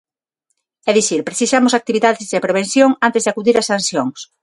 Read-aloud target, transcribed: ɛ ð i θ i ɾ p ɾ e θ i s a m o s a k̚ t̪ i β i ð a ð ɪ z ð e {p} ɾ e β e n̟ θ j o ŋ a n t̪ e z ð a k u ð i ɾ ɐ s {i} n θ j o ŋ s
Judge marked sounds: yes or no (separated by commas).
yes, no